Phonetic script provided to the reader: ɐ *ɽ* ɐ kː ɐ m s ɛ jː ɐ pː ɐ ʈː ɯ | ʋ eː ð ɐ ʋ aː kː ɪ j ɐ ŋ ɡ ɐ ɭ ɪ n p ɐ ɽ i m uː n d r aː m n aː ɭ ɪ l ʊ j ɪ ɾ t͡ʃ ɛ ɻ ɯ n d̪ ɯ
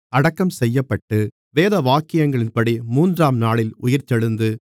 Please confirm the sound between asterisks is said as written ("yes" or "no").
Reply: yes